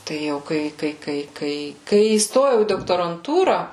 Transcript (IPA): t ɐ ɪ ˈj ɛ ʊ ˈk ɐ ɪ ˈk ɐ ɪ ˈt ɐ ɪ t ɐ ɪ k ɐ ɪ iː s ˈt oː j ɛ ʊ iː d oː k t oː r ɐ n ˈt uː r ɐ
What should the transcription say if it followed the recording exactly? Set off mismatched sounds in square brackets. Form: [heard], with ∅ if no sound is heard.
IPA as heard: t ɐ ɪ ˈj ɛ ʊ ˈk ɐ ɪ ˈk ɐ ɪ [ˈk] ɐ ɪ [k] ɐ ɪ k ɐ ɪ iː s ˈt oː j ɛ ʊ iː d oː k t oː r ɐ n ˈt uː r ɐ